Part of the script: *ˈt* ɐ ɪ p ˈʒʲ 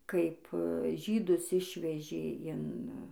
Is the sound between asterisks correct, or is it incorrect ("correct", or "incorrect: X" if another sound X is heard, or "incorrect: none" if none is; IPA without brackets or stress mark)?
incorrect: k